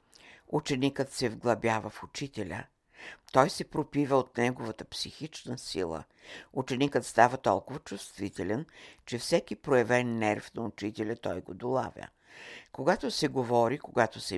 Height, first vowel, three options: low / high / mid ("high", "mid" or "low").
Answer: high